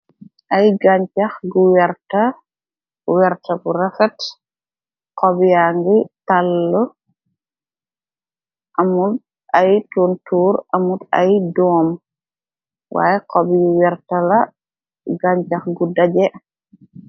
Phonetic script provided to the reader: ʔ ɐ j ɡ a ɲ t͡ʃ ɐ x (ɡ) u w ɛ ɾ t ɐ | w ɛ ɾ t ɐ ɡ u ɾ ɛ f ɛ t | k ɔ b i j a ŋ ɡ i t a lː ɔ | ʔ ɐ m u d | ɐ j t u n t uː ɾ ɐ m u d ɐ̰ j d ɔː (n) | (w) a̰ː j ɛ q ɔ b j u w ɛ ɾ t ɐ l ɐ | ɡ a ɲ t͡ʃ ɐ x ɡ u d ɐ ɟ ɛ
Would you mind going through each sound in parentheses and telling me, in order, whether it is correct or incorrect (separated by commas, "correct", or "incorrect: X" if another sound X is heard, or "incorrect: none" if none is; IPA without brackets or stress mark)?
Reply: correct, incorrect: m, correct